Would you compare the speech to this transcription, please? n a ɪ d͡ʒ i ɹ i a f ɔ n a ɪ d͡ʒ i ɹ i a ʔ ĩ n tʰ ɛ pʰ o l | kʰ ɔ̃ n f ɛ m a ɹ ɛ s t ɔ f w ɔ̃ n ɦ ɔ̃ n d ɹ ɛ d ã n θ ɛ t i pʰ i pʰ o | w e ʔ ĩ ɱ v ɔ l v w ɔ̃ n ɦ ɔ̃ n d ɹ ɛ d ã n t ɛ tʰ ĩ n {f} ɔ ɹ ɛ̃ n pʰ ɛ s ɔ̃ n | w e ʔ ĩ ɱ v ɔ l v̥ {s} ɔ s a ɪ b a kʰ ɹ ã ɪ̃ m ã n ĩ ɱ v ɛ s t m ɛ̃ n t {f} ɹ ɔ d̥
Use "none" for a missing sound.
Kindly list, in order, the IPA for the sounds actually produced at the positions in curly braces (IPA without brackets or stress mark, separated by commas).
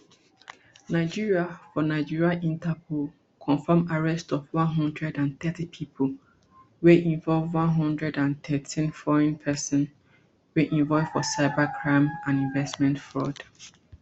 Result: f, f, f